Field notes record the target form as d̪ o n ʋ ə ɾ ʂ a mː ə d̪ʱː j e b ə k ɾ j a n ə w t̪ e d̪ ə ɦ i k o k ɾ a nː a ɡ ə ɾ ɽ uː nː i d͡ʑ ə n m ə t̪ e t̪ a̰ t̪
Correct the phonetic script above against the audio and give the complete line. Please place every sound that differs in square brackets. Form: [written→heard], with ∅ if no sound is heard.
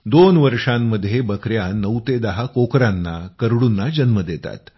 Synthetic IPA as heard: d̪ o n ʋ ə ɾ ʂ a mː ə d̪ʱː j e b ə k ɾ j a n ə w t̪ e d̪ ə ɦ [i→a] k o k ɾ a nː a [ɡ→k] ə ɾ ɽ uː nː [i→a] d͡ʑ ə n m ə [t̪→d̪] e t̪ a̰ t̪